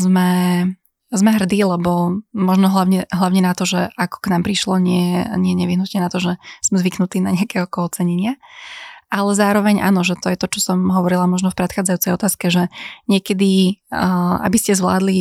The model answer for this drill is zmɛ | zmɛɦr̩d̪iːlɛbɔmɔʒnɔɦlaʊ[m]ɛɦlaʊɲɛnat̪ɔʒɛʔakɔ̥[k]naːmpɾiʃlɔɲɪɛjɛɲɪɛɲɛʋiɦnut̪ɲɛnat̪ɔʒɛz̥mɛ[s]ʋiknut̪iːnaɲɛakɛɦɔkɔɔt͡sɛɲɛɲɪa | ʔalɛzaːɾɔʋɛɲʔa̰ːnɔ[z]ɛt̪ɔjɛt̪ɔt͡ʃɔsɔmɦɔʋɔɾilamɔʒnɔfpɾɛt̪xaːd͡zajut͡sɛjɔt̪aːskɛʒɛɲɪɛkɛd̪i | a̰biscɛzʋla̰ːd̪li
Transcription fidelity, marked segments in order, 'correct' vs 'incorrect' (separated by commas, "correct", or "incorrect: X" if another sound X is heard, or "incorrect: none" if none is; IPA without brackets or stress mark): incorrect: ɲ, correct, incorrect: z, incorrect: ʒ